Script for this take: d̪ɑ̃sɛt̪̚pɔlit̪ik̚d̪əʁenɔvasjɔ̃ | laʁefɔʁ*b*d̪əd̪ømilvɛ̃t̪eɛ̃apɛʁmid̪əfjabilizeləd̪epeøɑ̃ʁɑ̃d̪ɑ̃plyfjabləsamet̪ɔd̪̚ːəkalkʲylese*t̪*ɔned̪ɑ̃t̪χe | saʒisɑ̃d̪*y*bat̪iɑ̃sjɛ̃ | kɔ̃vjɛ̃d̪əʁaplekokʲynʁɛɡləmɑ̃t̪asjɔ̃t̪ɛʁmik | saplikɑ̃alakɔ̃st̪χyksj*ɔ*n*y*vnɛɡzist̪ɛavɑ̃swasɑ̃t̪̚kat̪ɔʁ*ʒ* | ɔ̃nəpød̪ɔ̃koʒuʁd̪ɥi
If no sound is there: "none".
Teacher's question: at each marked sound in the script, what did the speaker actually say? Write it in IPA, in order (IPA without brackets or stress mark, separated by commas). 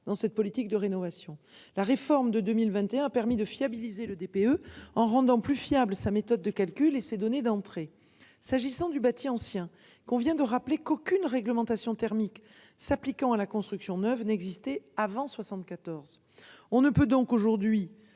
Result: m, d̪, y, ɔ̃, œ, z